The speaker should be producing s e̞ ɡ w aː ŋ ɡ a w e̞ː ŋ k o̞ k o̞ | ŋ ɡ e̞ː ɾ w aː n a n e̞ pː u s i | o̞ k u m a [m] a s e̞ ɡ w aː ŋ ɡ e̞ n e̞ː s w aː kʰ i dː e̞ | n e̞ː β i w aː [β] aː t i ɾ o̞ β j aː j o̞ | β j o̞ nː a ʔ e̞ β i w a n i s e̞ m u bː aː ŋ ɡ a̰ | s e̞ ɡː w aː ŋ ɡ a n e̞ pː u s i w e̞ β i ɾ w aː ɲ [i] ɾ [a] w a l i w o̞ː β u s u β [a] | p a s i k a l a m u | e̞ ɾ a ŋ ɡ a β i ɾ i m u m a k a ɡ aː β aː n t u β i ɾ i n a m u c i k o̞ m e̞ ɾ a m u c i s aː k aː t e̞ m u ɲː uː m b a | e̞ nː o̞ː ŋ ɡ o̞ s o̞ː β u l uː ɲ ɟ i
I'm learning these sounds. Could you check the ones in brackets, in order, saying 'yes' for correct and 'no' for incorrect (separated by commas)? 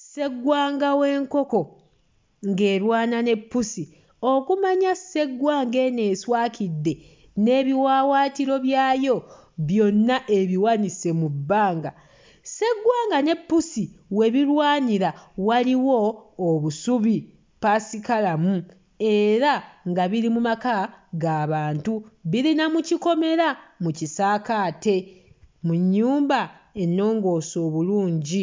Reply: no, no, yes, yes, no